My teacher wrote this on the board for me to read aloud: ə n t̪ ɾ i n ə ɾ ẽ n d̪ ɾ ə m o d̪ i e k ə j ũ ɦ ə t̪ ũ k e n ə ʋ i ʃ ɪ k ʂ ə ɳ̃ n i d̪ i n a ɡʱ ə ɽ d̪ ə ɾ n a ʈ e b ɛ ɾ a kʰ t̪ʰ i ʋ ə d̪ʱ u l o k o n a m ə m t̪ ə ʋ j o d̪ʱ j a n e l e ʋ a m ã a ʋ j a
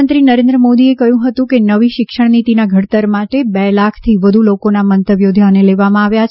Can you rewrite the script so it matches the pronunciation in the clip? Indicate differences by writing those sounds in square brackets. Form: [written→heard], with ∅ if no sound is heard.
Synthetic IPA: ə n t̪ ɾ i n ə ɾ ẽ n d̪ ɾ ə m o d̪ i e k ə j ũ ɦ ə t̪ ũ k e n ə ʋ i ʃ ɪ k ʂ ə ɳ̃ n i [d̪→t̪] i n a ɡʱ ə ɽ [d̪→t̪] ə ɾ [n→m] a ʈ e b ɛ [ɾ→l] a kʰ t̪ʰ i ʋ ə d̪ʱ u l o k o n a m ə [m→n] t̪ ə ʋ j o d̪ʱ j a n e l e ʋ a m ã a ʋ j a